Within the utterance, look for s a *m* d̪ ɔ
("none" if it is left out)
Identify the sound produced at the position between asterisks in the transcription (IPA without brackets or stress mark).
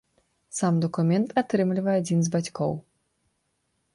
m